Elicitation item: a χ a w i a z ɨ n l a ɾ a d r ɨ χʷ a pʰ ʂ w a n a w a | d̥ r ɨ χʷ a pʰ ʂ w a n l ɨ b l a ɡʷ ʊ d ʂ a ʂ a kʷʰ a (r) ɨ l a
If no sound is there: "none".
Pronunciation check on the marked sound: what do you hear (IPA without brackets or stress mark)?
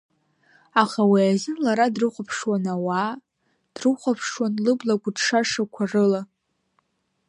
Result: r